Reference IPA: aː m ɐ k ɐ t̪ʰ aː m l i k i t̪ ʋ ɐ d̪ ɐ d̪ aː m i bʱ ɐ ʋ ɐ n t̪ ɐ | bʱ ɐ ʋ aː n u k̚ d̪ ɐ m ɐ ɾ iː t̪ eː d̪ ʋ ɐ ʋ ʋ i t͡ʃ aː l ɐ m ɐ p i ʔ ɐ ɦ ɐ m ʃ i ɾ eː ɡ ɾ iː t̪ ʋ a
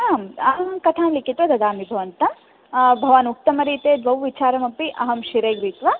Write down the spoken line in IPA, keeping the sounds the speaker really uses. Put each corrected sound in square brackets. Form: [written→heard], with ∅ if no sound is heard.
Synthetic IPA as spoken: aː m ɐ k ɐ t̪ʰ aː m l i k i t̪ ʋ ɐ d̪ ɐ d̪ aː m i bʱ ɐ ʋ ɐ n t̪ ɐ | bʱ ɐ ʋ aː n u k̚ [d̪→t̪] ɐ m ɐ ɾ iː t̪ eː d̪ ʋ ɐ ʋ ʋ i t͡ʃ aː [l→ɾ] ɐ m ɐ p i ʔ ɐ ɦ ɐ m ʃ i ɾ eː ɡ ɾ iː t̪ ʋ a

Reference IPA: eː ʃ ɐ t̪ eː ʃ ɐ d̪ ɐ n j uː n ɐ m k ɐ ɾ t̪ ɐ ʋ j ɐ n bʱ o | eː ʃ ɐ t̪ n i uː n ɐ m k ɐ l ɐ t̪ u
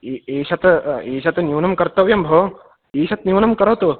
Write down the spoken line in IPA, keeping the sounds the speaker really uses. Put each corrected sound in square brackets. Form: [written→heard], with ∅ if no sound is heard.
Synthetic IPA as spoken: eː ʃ ɐ t̪ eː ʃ ɐ [d̪→t̪] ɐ n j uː n ɐ m k ɐ ɾ t̪ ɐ ʋ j ɐ [n→m] bʱ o | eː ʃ ɐ t̪ n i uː n ɐ m k ɐ [l→ɾ] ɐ t̪ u

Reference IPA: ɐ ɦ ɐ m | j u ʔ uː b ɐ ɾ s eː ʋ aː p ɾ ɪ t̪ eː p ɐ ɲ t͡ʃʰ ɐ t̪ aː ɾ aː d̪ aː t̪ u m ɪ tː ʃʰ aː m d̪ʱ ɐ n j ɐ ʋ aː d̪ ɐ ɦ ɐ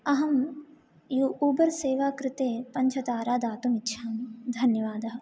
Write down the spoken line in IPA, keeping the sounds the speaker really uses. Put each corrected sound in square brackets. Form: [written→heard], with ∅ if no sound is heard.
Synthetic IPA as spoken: ɐ ɦ ɐ m | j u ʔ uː b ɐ ɾ s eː ʋ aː [p→k] ɾ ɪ t̪ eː p ɐ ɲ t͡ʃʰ ɐ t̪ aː ɾ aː d̪ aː t̪ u m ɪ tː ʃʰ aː m d̪ʱ ɐ n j ɐ ʋ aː d̪ ɐ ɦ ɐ

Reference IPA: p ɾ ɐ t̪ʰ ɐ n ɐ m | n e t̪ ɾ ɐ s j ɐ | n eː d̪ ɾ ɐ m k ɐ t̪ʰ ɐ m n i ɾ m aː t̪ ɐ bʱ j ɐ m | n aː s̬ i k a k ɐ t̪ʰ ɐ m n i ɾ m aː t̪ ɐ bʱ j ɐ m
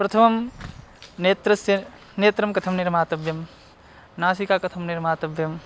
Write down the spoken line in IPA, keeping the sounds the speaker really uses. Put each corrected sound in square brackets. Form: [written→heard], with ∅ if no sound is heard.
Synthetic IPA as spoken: p ɾ ɐ t̪ʰ ɐ [n→m] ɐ m | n e t̪ ɾ ɐ s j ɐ | n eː [d̪→t̪] ɾ ɐ m k ɐ t̪ʰ ɐ m n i ɾ m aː t̪ ɐ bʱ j ɐ m | n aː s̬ i k a k ɐ t̪ʰ ɐ m n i ɾ m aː t̪ ɐ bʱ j ɐ m

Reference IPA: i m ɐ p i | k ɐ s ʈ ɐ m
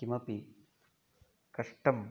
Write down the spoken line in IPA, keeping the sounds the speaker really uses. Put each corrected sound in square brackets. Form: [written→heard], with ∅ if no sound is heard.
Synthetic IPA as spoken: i m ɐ p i | k ɐ [s→ʂ] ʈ ɐ m

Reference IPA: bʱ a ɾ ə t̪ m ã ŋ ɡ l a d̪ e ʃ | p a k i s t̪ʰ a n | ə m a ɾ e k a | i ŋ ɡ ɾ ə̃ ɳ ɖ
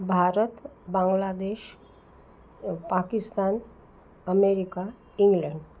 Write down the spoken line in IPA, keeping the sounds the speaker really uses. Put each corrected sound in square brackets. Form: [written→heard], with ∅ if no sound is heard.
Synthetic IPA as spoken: bʱ a ɾ ə t̪ [m→b] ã ŋ ɡ l a d̪ e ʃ | p a k i s [t̪ʰ→t̪] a n | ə m [a→e] ɾ [e→i] k a | i ŋ ɡ [ɾ→l] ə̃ ɳ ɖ

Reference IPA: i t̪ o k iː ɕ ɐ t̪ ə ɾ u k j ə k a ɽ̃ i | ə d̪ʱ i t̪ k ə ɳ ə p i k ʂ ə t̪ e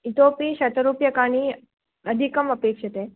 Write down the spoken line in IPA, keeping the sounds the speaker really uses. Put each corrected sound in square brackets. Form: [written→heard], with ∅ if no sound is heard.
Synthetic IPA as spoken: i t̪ o [k→p] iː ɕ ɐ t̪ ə ɾ u [k→p] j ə k a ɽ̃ i | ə d̪ʱ i [t̪→∅] k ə [ɳ→m] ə p [i→e] k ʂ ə t̪ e

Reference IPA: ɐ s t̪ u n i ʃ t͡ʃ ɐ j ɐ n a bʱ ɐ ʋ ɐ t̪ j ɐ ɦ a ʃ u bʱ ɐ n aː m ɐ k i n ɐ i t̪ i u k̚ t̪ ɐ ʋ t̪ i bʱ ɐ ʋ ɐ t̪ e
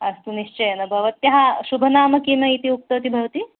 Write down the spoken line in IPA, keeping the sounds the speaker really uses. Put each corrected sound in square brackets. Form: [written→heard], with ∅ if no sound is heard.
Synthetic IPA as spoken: ɐ s t̪ u n i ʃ t͡ʃ ɐ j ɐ n [a→ɐ] bʱ ɐ ʋ ɐ t̪ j ɐ ɦ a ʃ u bʱ ɐ n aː m ɐ k i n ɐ i t̪ i u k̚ t̪ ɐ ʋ t̪ i bʱ ɐ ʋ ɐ t̪ [e→i]

